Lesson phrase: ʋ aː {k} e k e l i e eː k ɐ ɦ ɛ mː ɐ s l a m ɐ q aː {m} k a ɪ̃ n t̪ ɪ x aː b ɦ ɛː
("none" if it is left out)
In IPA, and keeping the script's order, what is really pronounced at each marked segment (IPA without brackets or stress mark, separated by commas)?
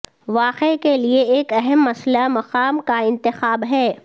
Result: q, m